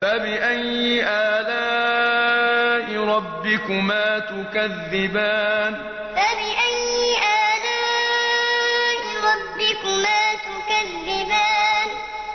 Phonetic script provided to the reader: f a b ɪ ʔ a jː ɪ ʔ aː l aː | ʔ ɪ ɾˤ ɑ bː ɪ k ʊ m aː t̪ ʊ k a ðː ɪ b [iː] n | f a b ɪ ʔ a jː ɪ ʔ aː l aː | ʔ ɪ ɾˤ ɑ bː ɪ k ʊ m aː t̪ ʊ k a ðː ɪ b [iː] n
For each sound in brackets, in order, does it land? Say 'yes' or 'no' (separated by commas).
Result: no, no